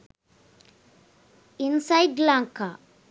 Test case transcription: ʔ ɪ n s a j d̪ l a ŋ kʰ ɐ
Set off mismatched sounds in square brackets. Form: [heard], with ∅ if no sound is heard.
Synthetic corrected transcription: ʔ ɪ n s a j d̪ l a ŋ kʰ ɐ